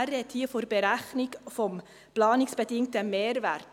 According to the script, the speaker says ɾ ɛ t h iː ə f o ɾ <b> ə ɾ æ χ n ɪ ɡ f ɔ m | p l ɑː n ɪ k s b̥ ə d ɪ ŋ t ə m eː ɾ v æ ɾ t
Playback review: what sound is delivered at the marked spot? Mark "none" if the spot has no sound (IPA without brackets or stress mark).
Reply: b